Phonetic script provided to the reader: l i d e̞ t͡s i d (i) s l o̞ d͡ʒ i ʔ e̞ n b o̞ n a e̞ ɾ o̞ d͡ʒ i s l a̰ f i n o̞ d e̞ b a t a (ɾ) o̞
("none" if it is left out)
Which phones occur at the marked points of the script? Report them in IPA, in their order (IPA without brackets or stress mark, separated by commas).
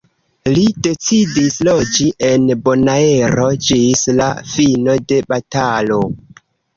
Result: i, l